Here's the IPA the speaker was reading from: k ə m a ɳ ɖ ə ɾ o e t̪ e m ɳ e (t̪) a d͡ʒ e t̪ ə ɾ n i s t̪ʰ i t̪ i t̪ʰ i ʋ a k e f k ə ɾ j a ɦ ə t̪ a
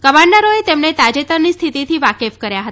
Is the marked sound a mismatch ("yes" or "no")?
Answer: no